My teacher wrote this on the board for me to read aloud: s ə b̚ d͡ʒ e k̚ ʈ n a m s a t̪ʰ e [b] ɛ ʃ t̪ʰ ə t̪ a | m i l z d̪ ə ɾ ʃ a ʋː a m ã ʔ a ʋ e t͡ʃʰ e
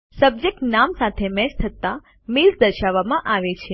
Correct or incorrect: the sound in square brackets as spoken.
incorrect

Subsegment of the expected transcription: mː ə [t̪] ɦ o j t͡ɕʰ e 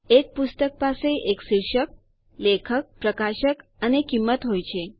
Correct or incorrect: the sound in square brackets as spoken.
correct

